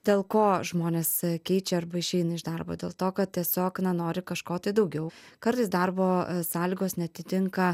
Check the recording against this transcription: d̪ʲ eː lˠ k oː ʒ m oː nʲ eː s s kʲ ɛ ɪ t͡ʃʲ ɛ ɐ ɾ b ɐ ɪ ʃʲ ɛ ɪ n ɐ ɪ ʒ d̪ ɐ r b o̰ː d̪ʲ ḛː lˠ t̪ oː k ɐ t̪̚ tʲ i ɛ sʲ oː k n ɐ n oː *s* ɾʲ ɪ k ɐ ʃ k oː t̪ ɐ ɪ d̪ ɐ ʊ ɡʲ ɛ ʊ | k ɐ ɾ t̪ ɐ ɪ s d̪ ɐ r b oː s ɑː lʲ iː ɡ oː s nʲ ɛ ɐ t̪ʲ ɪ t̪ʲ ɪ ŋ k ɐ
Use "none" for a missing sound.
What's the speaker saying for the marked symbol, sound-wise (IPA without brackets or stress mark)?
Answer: none